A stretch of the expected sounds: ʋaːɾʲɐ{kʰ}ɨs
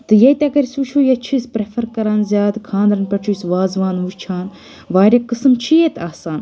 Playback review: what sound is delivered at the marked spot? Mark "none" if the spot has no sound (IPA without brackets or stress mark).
k